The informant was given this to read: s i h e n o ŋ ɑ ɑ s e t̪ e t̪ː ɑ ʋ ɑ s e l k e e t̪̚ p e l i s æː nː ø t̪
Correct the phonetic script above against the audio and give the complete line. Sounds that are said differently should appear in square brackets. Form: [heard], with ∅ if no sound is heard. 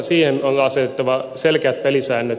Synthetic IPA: s [iː] h e n o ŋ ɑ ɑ s e t̪ e t̪ː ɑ ʋ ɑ s e l k e [æ] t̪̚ p e l i s æː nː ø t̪